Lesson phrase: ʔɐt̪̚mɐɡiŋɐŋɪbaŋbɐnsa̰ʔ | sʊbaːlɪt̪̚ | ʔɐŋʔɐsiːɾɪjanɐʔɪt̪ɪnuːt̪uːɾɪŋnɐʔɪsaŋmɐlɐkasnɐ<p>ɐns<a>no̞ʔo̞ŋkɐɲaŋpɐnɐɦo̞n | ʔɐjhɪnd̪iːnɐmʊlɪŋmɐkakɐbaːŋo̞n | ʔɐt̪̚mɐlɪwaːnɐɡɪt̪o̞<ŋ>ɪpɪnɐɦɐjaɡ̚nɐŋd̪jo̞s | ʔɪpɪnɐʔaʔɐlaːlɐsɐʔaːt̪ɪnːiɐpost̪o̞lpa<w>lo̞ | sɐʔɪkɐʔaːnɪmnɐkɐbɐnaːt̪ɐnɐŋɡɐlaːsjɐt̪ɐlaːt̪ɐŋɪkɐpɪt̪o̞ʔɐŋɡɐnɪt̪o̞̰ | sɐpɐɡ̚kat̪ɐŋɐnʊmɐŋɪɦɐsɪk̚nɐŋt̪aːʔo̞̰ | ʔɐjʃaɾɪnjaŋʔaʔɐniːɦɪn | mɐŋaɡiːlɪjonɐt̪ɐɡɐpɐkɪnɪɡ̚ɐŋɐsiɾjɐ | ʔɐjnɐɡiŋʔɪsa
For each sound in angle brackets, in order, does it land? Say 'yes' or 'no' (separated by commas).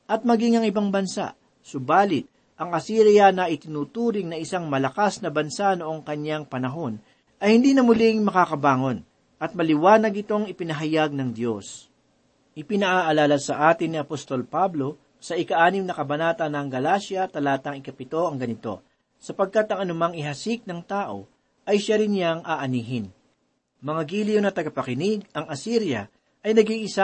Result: no, yes, yes, no